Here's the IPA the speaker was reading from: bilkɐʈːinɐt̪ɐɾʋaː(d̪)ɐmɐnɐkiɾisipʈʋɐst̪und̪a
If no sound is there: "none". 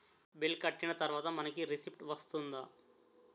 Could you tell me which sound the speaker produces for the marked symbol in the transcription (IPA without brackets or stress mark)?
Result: t̪